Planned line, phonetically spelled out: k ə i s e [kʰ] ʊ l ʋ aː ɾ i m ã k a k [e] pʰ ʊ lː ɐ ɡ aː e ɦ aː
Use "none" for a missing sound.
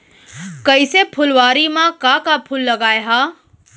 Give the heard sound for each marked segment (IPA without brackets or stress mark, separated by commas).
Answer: pʰ, a